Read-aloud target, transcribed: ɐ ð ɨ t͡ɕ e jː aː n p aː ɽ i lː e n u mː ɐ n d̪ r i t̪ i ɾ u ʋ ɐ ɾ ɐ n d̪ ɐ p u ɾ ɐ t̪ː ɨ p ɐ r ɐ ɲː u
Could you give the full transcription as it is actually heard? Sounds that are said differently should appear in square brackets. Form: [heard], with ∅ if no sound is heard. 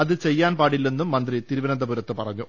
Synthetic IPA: ɐ ð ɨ t͡ɕ e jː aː n p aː ɽ i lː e [nː] u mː ɐ n d̪ r i t̪ i ɾ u ʋ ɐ ɾ ɐ n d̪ ɐ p u ɾ ɐ t̪ː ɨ p ɐ r ɐ ɲː u